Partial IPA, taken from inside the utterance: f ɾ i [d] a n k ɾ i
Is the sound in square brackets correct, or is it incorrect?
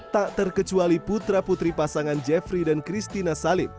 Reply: correct